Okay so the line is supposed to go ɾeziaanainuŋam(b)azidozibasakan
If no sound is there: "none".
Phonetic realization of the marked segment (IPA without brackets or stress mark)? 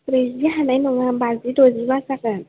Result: b